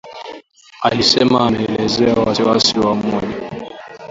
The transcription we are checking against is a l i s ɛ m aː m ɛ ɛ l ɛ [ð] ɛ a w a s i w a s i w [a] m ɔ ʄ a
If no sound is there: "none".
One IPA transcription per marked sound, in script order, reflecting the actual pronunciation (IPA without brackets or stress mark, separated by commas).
z, a